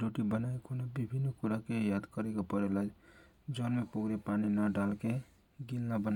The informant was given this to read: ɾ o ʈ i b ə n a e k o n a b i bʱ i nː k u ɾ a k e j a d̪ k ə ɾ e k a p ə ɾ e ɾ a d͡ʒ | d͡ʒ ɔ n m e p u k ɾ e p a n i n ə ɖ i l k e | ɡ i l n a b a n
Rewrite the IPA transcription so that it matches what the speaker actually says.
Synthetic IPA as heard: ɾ o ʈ i b ə n a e k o n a b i bʱ i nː k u ɾ a k e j a d̪ k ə ɾ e k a p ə ɾ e l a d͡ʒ | d͡ʒ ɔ n m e p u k ɾ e p a n i n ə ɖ a l k e | ɡ i l n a b ə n